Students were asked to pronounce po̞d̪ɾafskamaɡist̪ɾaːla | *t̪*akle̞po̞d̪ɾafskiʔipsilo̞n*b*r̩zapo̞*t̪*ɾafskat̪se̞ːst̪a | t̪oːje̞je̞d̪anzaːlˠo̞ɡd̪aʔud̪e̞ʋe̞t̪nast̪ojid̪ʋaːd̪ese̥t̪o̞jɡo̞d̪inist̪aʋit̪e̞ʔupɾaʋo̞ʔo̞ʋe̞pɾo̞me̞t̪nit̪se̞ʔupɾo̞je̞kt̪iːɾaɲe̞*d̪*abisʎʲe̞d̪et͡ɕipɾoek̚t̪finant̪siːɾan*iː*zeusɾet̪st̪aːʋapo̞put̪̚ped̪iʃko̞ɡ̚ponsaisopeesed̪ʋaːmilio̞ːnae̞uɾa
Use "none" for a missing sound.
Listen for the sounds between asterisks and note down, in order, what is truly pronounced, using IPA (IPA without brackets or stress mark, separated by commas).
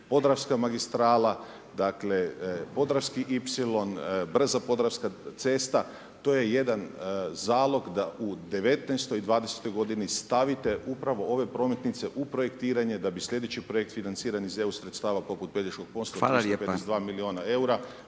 d̪, b, d̪, d̪, i